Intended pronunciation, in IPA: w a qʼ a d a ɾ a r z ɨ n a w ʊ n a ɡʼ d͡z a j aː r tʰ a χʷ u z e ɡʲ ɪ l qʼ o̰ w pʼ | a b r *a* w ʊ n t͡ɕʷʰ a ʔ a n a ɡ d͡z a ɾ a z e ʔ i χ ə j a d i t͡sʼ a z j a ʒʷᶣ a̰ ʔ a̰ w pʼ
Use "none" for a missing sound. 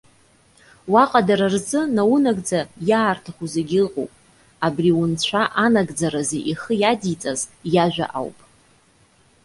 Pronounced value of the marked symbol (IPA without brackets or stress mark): i